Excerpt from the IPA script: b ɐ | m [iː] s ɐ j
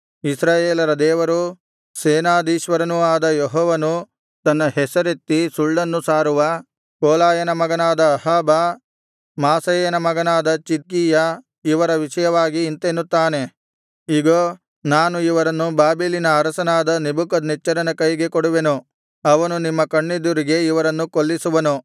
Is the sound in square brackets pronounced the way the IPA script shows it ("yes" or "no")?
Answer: no